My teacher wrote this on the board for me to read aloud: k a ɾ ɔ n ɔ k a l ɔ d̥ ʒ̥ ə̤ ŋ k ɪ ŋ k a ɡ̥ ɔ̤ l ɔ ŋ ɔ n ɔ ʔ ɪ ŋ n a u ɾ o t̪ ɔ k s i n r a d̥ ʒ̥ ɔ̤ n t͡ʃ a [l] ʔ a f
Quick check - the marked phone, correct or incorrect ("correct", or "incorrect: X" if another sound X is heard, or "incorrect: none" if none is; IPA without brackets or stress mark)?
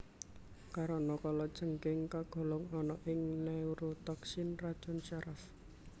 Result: incorrect: ɾ